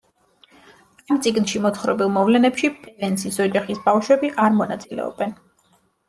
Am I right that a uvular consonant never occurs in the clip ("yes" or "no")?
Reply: no